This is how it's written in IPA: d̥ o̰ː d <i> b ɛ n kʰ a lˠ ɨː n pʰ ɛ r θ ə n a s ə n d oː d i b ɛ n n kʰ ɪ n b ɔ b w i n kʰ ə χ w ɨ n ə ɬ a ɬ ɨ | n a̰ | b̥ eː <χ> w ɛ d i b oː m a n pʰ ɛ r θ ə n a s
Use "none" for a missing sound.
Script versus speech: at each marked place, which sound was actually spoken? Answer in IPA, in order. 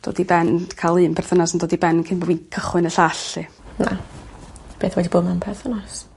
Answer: i, θ

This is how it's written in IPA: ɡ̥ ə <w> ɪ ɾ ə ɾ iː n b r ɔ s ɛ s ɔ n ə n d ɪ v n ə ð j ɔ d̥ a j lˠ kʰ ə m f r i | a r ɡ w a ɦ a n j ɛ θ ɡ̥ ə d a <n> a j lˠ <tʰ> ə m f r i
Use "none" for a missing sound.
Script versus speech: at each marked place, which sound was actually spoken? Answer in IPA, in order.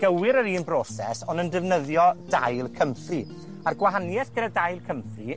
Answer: w, d, kʰ

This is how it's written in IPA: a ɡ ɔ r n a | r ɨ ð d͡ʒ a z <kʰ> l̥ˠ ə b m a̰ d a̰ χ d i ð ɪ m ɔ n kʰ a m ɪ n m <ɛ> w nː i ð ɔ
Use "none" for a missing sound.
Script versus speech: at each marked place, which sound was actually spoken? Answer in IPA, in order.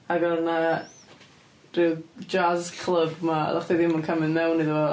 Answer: kʰ, ɛ

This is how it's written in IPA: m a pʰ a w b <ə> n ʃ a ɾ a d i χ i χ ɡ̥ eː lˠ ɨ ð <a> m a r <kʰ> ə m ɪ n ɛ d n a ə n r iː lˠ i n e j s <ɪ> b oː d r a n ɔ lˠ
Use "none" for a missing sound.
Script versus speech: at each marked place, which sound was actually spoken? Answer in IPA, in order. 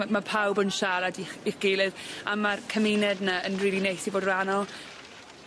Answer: ə, a, kʰ, i

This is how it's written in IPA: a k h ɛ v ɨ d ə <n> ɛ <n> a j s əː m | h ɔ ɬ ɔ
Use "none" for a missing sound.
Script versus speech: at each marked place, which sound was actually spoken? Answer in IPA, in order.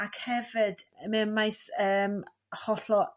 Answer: m, m

